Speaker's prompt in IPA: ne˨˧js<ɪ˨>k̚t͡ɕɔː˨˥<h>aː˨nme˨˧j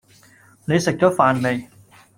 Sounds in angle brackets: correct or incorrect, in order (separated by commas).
correct, incorrect